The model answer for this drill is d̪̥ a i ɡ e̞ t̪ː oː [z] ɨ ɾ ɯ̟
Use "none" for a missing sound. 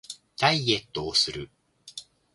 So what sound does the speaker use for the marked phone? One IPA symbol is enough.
s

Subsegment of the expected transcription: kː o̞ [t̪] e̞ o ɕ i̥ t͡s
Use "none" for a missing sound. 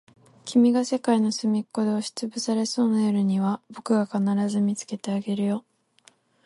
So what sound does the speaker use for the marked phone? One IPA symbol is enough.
d̪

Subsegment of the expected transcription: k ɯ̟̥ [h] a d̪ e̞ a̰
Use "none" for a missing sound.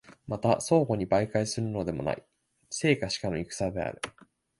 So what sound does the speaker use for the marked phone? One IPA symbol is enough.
s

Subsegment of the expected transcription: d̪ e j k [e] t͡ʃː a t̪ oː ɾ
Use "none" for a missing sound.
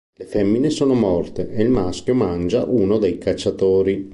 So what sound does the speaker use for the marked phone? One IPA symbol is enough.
a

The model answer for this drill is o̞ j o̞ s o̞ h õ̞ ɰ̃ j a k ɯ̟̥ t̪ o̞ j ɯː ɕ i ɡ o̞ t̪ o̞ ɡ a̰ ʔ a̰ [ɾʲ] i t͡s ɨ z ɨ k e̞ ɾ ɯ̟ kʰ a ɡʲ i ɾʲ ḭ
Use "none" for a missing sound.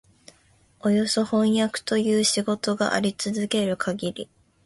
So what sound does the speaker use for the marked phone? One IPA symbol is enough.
ɾʲ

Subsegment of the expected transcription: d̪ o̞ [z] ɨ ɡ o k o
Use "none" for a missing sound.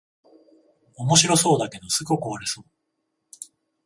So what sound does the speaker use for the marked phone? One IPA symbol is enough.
s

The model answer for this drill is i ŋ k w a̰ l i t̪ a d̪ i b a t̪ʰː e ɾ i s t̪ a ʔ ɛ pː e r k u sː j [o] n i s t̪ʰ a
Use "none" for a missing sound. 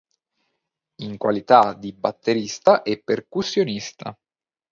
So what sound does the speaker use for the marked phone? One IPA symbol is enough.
o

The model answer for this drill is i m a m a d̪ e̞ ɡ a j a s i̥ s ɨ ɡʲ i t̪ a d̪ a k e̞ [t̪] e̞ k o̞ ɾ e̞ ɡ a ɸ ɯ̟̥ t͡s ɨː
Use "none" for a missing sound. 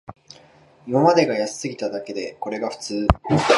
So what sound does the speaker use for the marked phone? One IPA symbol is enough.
d̪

